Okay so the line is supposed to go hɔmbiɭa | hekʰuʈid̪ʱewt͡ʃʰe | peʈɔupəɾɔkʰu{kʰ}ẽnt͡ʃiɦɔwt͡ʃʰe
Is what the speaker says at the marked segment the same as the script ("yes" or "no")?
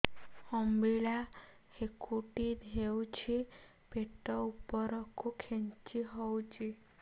yes